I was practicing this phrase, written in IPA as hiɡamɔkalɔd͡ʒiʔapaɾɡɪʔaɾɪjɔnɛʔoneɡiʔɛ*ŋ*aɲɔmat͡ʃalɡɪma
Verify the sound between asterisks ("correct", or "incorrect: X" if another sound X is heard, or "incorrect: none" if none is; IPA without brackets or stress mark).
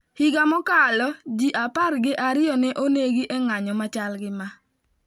correct